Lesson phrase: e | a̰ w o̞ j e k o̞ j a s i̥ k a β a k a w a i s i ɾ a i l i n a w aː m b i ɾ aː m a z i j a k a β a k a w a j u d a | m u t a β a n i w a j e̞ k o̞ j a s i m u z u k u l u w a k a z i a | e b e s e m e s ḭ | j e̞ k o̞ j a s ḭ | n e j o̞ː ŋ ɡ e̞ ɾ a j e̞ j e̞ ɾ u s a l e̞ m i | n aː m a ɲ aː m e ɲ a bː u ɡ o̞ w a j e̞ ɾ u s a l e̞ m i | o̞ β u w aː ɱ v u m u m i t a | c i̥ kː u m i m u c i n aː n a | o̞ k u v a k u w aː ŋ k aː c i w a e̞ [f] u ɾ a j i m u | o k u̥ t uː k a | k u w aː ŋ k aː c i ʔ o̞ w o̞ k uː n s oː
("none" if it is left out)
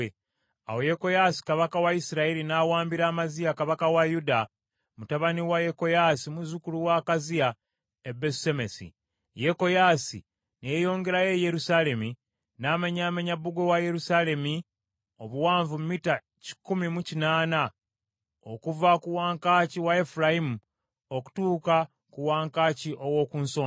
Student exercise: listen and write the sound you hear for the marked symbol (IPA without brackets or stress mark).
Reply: f